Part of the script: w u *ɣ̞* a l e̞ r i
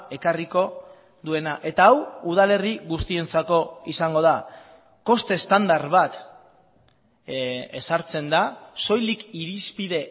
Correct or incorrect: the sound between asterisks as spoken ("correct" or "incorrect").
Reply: incorrect